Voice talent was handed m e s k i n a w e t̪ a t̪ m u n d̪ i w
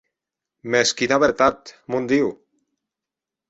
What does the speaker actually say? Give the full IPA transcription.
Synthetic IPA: m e s k i n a β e t̪ a t̪ m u n d̪ i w